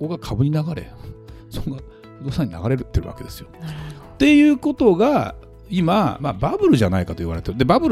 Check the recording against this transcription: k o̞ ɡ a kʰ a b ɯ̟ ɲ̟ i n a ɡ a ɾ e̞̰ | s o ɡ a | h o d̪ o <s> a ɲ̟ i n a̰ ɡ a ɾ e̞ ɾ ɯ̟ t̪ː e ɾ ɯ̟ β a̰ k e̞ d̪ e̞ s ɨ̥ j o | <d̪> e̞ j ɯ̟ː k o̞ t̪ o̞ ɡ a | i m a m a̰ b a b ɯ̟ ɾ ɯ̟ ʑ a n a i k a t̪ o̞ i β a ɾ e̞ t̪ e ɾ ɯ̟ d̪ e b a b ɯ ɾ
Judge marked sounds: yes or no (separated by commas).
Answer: yes, no